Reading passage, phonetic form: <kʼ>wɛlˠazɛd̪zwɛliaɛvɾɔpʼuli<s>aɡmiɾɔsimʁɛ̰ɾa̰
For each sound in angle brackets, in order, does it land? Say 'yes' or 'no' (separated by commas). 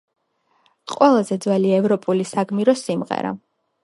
no, yes